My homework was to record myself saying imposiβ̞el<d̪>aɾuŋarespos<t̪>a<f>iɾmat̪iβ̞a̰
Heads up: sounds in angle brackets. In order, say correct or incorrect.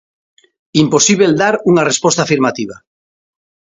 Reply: correct, correct, correct

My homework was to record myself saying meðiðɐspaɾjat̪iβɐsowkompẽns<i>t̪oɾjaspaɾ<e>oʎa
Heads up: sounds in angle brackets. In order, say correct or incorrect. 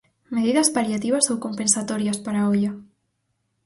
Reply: incorrect: a, incorrect: a

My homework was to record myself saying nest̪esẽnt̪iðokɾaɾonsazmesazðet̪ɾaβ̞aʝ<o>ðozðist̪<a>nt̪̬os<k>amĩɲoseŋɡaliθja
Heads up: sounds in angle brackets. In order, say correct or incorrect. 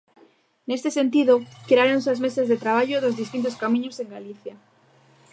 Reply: correct, incorrect: i, correct

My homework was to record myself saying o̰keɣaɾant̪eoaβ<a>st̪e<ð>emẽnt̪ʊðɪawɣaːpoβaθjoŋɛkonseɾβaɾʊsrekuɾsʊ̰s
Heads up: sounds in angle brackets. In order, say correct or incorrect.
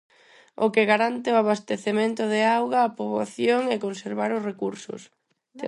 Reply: correct, incorrect: θ

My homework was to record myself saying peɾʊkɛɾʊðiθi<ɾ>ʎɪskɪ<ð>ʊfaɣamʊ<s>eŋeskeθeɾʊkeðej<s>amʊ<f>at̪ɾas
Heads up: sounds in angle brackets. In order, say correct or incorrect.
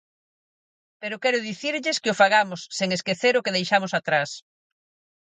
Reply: correct, incorrect: none, incorrect: sː, incorrect: ʃ, incorrect: s

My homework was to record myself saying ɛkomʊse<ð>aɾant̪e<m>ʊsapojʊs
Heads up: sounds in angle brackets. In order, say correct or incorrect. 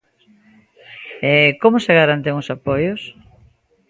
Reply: incorrect: ɣ, incorrect: ŋ

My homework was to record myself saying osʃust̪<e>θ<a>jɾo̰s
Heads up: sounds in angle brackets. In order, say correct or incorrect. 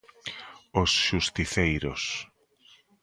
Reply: incorrect: i, incorrect: e

